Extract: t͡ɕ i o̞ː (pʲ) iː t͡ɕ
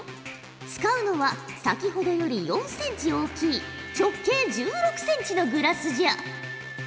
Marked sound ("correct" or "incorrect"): incorrect